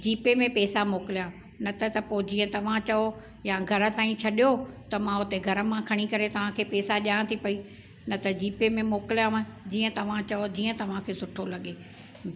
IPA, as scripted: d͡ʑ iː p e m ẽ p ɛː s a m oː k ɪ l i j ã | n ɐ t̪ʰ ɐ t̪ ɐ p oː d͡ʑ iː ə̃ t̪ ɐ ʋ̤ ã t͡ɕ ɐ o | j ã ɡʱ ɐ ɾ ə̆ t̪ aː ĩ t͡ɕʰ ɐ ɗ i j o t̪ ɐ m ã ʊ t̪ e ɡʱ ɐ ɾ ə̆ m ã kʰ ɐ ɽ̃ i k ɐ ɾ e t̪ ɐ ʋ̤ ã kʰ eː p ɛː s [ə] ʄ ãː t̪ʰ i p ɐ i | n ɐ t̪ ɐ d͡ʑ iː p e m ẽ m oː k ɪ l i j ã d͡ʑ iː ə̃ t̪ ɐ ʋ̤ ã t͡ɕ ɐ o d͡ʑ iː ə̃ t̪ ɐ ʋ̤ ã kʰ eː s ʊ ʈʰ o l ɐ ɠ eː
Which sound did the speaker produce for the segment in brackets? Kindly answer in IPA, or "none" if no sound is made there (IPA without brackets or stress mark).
a